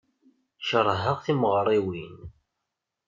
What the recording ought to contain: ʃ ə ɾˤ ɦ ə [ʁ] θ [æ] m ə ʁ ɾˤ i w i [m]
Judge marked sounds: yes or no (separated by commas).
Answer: yes, no, no